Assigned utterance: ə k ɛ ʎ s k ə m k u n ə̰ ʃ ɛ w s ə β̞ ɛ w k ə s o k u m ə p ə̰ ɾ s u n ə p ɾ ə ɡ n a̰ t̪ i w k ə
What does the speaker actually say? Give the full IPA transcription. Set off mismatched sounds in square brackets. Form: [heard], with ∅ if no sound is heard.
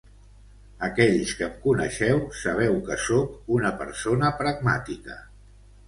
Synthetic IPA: ə k ɛ ʎ s k ə m k u n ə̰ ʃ ɛ w s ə β̞ ɛ w k ə s o k u [n] ə p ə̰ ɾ s [o] n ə p ɾ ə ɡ [m] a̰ t̪ i [∅] k ə